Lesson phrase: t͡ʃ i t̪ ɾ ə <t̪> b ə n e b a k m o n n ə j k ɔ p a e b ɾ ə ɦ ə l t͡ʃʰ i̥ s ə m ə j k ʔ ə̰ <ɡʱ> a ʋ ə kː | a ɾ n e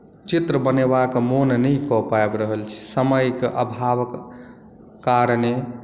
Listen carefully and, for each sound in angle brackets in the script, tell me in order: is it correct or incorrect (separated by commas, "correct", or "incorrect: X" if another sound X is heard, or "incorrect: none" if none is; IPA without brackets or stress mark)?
incorrect: none, incorrect: bʱ